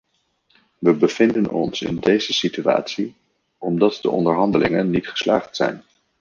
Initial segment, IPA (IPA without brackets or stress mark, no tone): ʋ